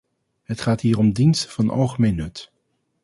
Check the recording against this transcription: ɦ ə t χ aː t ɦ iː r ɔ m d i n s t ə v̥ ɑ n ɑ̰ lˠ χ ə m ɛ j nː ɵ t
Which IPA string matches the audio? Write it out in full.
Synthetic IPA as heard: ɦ ə t χ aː t ɦ iː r ɔ m d i n s t ə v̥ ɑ n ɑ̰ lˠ χ ə m e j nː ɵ t